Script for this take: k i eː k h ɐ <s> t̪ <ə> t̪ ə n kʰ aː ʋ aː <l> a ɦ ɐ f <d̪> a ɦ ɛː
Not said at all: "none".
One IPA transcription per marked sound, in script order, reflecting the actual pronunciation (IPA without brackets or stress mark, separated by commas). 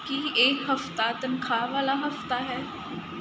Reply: f, a, l, t̪